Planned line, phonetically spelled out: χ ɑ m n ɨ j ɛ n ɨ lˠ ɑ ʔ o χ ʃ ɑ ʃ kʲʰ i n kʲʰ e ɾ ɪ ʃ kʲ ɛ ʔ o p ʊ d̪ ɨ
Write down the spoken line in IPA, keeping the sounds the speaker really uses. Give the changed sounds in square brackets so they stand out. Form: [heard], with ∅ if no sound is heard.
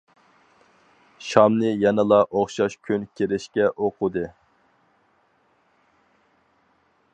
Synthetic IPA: [ʃ] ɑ m n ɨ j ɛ n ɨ lˠ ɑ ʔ o χ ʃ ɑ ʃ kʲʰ [y] n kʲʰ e ɾ ɪ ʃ kʲ ɛ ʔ o [q] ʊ d̪ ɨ